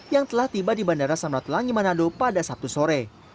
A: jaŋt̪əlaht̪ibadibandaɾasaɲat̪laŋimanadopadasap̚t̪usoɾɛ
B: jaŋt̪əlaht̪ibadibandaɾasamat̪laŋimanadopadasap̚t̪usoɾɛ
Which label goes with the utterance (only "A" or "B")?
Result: B